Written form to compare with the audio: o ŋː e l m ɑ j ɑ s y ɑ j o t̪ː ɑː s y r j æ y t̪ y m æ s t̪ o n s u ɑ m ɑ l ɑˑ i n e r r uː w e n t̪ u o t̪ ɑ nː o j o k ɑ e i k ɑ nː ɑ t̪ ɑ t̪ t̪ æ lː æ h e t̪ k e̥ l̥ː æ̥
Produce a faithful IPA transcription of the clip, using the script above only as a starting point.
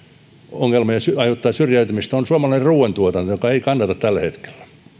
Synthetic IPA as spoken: o ŋː e l m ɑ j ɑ s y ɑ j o t̪ː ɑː s y r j æ y t̪ y m i s t̪ o n s u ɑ m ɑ l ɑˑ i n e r r uː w e n t̪ u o t̪ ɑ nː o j o k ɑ e i k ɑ nː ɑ t̪ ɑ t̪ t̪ æ lː æ h e t̪ k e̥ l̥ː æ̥